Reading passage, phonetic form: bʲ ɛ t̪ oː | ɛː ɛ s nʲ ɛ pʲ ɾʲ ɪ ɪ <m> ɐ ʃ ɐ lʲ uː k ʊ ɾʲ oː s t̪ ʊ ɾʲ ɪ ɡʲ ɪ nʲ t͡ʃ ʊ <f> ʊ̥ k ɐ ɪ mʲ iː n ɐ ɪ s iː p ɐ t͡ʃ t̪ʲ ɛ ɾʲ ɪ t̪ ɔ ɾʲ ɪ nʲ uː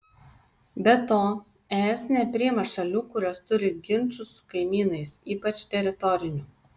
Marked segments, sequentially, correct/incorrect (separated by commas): correct, incorrect